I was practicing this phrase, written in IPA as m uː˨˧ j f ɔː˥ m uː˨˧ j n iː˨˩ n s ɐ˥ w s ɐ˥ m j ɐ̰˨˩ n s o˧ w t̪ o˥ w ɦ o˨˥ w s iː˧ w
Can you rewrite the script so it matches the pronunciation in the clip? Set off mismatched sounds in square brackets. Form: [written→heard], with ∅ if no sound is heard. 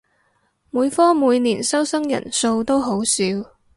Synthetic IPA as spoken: m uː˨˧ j f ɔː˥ m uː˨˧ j n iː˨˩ n s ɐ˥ w s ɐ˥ [m→ŋ] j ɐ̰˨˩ n s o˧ w t̪ o˥ w ɦ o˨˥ w s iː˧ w